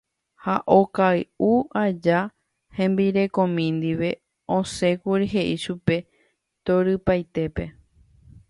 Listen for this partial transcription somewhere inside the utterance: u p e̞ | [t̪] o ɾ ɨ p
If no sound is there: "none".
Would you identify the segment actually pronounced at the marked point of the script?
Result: t̪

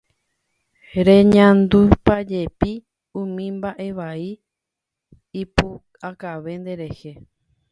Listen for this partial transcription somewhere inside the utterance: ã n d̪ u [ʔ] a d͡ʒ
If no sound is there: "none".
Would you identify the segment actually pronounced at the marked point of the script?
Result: p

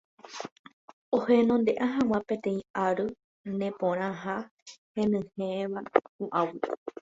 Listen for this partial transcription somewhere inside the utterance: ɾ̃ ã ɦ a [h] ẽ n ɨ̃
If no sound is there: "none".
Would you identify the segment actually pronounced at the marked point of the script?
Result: h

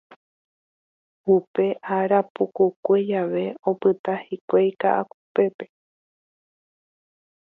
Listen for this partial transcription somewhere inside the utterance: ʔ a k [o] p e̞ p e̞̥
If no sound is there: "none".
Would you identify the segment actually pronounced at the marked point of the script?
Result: u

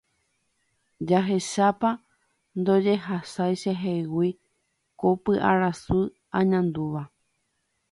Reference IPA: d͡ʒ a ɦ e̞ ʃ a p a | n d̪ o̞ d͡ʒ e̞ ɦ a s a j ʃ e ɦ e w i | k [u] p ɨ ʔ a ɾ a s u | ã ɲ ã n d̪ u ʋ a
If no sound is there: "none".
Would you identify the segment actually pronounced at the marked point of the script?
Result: o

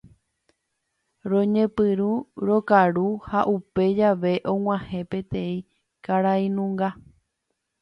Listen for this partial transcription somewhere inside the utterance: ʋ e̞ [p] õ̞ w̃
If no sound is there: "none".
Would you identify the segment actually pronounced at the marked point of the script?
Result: ʔ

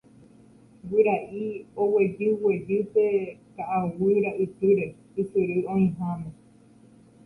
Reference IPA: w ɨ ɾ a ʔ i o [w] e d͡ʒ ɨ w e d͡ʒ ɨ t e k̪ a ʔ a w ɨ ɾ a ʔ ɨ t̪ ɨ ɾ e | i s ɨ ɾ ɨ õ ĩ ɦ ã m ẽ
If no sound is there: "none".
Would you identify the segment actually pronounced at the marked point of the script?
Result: w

